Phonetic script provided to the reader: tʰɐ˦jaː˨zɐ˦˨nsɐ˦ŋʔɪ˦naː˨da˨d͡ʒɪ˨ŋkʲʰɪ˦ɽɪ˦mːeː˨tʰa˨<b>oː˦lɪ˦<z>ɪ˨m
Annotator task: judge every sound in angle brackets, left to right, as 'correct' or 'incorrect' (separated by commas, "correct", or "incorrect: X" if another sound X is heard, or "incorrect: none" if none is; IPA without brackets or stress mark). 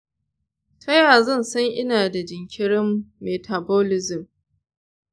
correct, correct